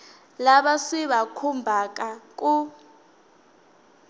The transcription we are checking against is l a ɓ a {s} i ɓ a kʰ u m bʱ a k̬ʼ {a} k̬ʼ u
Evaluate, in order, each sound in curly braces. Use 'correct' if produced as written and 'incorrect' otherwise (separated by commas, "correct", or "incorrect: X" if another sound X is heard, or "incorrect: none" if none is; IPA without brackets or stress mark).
correct, correct